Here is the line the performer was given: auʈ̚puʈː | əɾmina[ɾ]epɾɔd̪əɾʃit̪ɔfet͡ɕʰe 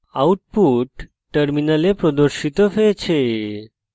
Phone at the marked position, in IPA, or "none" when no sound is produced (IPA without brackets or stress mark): l